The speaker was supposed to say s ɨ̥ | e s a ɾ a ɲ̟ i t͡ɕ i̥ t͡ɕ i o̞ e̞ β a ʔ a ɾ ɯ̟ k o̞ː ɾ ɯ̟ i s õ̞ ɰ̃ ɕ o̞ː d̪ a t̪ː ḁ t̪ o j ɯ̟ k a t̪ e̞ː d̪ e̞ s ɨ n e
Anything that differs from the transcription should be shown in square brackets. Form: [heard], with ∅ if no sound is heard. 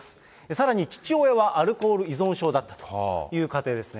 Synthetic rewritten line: s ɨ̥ | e s a ɾ a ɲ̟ i t͡ɕ i̥ t͡ɕ i o̞ e̞ β a ʔ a ɾ ɯ̟ k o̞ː ɾ ɯ̟ i [z] õ̞ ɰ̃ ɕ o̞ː d̪ a t̪ː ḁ t̪ o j [ɯ̟ː] k a t̪ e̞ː d̪ e̞ s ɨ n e